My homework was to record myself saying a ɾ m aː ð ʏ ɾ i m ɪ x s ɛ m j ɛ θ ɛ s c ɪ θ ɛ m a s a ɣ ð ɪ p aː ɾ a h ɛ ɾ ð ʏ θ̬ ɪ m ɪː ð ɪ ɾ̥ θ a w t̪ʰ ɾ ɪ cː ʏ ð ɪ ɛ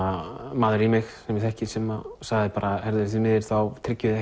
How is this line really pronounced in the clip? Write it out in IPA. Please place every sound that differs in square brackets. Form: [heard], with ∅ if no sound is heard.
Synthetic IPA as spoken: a [∅] m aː ð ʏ ɾ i m ɪ x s ɛ m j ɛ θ ɛ [h] c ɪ [s] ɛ m a s a ɣ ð ɪ p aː ɾ a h ɛ ɾ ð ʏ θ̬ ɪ m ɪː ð ɪ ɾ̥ θ a w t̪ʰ ɾ ɪ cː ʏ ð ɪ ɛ